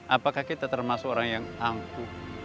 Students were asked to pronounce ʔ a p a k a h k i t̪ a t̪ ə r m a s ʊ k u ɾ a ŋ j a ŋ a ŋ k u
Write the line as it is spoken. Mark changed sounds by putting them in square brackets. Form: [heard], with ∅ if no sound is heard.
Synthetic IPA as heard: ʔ a p a k a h k i t̪ a t̪ ə r m a s ʊ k [o] ɾ a ŋ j a ŋ a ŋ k u